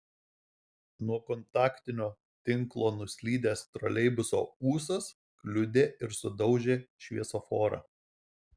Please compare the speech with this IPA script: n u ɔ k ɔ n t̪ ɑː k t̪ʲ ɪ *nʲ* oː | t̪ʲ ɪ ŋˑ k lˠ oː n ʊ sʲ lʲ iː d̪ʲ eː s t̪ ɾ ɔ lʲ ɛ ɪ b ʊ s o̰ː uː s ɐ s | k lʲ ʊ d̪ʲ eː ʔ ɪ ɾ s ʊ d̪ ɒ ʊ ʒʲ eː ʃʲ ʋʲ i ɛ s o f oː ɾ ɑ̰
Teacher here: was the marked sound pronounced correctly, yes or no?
yes